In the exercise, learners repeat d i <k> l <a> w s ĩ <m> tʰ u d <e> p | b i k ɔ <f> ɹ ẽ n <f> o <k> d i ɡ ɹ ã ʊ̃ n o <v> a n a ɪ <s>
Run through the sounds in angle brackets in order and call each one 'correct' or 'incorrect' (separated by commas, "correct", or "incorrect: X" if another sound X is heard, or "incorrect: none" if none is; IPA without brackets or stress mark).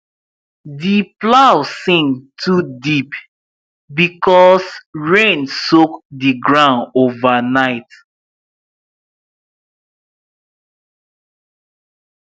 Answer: incorrect: p, correct, incorrect: ŋ, incorrect: i, incorrect: s, incorrect: s, correct, correct, incorrect: t